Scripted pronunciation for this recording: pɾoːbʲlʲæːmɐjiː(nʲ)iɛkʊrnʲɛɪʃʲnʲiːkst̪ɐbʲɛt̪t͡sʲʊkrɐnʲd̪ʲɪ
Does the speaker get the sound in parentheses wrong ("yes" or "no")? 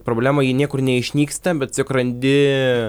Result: no